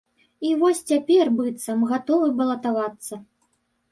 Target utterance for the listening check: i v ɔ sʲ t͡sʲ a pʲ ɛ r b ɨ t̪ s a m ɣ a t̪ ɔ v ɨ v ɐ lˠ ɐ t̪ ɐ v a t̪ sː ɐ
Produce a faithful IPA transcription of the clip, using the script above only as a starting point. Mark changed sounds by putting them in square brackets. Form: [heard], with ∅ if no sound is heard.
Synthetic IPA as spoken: i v ɔ sʲ t͡sʲ a pʲ ɛ r b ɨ t̪ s [ɐ] m ɣ a t̪ ɔ v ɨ [b] ɐ lˠ ɐ t̪ [a] v a t̪ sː ɐ